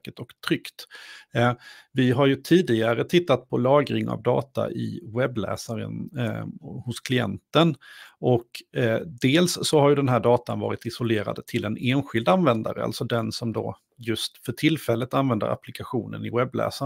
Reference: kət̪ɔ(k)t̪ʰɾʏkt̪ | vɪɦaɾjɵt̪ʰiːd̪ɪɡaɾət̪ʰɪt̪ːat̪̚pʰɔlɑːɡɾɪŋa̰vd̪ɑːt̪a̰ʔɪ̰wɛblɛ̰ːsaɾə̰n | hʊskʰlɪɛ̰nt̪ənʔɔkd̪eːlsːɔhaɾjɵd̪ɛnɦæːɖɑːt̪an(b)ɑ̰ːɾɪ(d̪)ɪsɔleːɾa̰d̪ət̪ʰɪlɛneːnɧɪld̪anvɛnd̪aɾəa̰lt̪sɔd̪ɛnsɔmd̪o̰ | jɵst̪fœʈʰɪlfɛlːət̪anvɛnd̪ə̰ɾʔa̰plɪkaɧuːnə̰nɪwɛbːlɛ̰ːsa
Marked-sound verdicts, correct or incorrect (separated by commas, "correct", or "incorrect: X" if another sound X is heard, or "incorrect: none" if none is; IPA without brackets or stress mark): correct, incorrect: v, incorrect: t̪